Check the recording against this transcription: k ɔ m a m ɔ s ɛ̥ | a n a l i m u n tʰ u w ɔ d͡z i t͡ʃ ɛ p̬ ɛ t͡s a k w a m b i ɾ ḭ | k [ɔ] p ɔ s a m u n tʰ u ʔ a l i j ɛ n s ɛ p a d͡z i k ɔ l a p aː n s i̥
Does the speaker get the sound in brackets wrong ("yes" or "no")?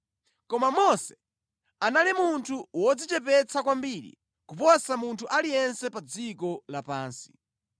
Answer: yes